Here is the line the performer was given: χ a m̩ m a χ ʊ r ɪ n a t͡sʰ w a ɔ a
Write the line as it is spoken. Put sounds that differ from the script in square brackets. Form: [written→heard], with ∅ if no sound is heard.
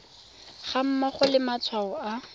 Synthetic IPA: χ a m̩ m a χ ʊ [r→l] ɪ [n→m] a t͡sʰ w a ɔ a

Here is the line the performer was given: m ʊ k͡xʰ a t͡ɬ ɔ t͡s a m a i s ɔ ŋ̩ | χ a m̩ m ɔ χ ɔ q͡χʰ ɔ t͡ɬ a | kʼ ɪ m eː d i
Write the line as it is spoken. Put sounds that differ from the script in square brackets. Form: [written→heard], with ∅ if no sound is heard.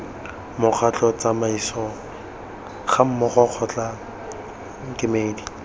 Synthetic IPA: m ʊ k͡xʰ a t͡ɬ ɔ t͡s a m a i s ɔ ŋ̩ | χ a m̩ m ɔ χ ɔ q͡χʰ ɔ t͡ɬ a | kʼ ɪ m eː d i

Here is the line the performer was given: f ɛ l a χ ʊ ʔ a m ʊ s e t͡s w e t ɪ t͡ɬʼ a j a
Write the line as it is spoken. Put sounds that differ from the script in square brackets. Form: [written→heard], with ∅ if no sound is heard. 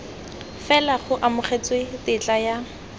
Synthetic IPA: f ɛ l a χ ʊ ʔ a m ʊ [s→χ] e t͡s w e t ɪ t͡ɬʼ a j a

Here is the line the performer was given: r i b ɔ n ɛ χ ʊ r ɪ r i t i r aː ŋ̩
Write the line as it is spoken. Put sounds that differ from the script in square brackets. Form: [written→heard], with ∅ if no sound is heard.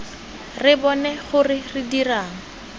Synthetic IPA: r [i→ɪ] b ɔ n ɛ χ ʊ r ɪ r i [t→d] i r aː ŋ̩

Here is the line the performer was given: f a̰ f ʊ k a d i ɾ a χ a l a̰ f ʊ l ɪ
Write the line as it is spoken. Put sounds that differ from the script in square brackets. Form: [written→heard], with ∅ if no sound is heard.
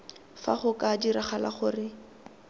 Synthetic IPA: f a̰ [f→χ] ʊ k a d i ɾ a χ a l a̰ [f→χ] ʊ [l→r] ɪ

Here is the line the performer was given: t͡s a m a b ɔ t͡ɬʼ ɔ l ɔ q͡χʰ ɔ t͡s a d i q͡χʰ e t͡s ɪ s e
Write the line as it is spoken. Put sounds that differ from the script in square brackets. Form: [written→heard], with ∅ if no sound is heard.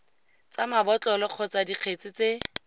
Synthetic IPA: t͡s a m a b ɔ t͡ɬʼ ɔ l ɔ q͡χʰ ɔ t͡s a d i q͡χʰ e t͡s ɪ [s→t͡s] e

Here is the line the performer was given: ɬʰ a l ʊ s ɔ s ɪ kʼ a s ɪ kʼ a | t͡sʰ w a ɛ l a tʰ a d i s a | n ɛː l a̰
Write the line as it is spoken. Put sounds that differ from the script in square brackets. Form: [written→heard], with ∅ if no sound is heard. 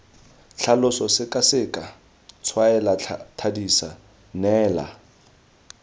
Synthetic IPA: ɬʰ a l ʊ s ɔ s ɪ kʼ a s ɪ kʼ a | t͡sʰ w a ɛ l a tʰ a d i s a | n ɛː l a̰

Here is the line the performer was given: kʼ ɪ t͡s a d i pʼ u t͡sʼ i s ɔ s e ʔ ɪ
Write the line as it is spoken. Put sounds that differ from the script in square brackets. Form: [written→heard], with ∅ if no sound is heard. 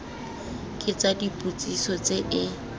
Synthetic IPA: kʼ ɪ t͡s a d i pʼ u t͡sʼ i s ɔ [s→t͡s] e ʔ ɪ

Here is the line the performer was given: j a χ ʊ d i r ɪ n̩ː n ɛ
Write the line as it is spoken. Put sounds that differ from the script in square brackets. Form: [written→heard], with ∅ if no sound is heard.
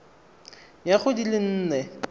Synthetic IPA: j a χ ʊ d i [r→l] ɪ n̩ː n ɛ

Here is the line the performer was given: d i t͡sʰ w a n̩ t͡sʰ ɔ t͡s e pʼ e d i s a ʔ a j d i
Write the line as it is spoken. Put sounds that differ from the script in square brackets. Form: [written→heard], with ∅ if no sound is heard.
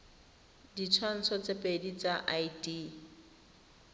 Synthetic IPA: d i t͡sʰ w a n̩ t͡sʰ ɔ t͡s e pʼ e d i [s→t͡s] a ʔ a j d i

